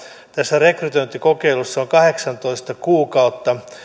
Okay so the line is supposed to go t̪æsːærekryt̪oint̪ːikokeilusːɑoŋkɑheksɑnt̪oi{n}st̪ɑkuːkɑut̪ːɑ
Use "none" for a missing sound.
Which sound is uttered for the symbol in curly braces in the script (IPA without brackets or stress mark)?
none